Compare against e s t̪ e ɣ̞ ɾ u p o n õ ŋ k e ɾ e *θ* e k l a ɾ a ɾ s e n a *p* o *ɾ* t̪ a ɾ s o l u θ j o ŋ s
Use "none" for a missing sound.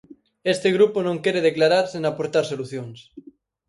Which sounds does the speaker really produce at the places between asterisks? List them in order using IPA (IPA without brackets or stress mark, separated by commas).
ð, p, ɾ